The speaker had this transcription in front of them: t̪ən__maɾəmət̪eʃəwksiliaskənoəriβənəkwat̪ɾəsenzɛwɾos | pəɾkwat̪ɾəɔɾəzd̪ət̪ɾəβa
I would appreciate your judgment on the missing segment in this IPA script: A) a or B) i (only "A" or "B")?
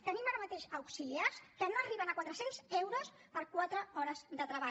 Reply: B